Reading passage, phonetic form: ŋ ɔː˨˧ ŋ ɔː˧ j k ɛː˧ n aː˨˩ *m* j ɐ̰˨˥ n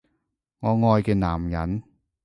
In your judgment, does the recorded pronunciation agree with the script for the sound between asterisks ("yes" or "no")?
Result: yes